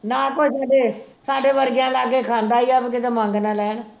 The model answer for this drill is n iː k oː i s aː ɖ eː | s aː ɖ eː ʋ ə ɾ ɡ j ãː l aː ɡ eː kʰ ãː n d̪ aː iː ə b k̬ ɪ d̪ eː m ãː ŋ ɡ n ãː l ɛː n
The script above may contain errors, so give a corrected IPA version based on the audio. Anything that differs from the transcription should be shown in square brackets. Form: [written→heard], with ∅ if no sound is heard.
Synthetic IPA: n [iː→aː] k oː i s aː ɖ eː | s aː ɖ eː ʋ ə ɾ ɡ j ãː l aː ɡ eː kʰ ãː n d̪ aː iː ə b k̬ ɪ [d̪→t̪] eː m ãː ŋ ɡ n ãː l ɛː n